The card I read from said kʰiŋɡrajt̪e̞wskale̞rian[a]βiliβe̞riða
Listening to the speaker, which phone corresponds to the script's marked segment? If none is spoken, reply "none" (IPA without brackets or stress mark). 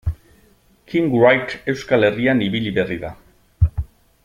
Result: i